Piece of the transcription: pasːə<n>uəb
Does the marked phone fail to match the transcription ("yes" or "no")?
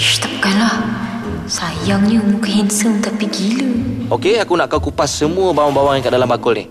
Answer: yes